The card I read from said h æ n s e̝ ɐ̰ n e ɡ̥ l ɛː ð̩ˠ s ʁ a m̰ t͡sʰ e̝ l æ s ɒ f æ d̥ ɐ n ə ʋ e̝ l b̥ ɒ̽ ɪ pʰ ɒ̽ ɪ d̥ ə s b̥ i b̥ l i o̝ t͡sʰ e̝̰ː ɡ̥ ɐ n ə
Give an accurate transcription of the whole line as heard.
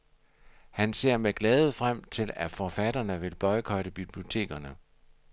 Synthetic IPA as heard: h æ n s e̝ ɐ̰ m e ɡ̥ l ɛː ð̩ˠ f ʁ a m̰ t͡sʰ e̝ l æ f ɒ f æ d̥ ɐ n ə ʋ e̝ l b̥ ɒ̽ ɪ kʰ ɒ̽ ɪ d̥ ə b̥ i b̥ l i o̝ t͡sʰ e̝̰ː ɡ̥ ɐ n ə

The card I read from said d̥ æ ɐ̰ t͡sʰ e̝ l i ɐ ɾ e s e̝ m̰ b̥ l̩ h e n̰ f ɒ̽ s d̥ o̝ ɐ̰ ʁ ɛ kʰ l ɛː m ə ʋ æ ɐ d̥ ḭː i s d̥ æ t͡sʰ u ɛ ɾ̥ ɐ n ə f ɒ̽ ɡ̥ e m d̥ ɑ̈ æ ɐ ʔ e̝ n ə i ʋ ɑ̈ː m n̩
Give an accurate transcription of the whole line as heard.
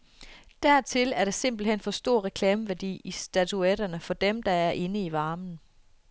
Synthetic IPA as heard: d̥ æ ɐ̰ t͡sʰ e̝ l æ ɐ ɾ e s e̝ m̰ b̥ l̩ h e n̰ f ɒ̽ s d̥ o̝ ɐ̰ ʁ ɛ kʰ l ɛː m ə ʋ æ ɐ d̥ ḭː i s d̥ æ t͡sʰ u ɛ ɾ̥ ɐ n ə f ɒ̽ d̥ e m d̥ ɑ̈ æ ɐ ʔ e̝ n ə i ʋ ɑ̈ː m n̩

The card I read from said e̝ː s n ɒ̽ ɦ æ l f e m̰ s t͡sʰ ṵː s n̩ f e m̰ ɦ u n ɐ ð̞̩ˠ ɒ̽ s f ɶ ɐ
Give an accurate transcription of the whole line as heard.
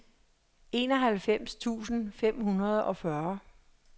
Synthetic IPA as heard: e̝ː n ɒ̽ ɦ æ l f e m̰ s t͡sʰ ṵː s n̩ f e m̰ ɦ u n ɐ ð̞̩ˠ ɒ̽ f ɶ ɐ

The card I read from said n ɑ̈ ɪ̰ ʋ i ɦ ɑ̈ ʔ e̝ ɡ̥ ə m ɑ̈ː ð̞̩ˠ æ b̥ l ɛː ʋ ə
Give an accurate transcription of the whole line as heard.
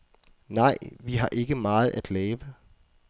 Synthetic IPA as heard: n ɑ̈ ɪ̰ ʋ i ɦ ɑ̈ ʔ e̝ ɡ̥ ə m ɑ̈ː ð̞̩ˠ æ d̥ l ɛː ʋ ə

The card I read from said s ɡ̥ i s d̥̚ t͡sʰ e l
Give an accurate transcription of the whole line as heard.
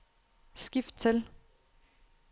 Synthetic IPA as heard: s ɡ̥ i f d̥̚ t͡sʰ e l

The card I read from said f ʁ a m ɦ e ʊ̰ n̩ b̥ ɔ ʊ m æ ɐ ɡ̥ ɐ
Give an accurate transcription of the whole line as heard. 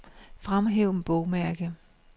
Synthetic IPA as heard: f ʁ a m ɦ e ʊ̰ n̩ b̥ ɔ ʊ m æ ɐ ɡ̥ ə

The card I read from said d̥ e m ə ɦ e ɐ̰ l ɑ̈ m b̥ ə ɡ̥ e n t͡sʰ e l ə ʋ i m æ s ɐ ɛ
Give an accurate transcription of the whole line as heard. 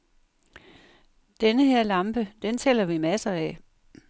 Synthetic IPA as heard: d̥ e n ə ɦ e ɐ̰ l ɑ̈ m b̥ ə d̥ e n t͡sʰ e l ɐ ʋ i m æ s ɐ ɛ

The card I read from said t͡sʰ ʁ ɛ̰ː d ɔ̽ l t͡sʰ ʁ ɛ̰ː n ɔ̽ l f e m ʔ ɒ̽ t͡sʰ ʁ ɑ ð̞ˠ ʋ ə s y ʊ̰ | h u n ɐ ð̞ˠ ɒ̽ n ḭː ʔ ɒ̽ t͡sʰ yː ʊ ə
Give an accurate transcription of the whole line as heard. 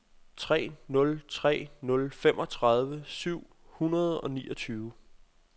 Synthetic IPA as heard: t͡sʰ ʁ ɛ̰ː n ɔ̽ l t͡sʰ ʁ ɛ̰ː n ɔ̽ l f e m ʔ ɒ̽ t͡sʰ ʁ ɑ ð̞ˠ ʋ ə s y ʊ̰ | h u n ɐ ð̞ˠ ɒ̽ n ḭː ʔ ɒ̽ t͡sʰ yː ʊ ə

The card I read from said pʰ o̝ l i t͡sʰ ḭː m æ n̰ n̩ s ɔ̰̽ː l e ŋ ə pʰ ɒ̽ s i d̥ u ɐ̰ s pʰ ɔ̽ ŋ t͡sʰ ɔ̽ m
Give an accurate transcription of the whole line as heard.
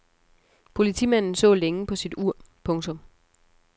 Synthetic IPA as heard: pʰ o̝ l i t͡sʰ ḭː m æ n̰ n̩ s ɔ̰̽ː l e ŋ ə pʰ ɒ̽ s i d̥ u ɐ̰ pʰ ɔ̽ ŋ t͡sʰ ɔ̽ m

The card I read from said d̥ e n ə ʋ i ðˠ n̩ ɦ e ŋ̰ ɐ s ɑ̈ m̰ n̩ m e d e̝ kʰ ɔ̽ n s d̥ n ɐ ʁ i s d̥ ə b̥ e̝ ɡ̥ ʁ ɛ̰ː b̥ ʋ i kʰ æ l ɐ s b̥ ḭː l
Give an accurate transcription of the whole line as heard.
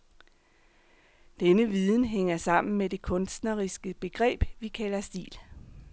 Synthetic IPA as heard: d̥ e n ə ʋ i ðˠ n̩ ɦ e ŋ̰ ɐ s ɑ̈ m̰ n̩ m e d e̝ kʰ ɔ̽ n s d̥ n ɐ ʁ i s ɡ̥ ə b̥ e̝ ɡ̥ ʁ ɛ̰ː b̥ ʋ i kʰ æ l ɐ s d̥ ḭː l

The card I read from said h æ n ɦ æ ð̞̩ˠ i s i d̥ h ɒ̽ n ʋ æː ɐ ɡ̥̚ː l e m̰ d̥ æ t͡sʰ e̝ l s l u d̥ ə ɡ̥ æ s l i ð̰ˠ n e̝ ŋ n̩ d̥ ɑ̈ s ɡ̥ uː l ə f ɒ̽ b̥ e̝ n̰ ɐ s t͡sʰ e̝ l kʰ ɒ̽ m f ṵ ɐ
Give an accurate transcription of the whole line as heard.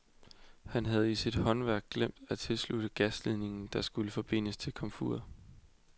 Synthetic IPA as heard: h æ n ɦ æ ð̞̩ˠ i s i d̥ h ɒ̽ n ʋ æ ɐ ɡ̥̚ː l e m̰ d̥ æ t͡sʰ e̝ l s l u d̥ ə ɡ̥ æ s l i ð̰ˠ n e̝ ŋ n̩ d̥ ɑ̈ s ɡ̥ u l ə f ɒ̽ b̥ e̝ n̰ ə s t͡sʰ e̝ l kʰ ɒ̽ m f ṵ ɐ

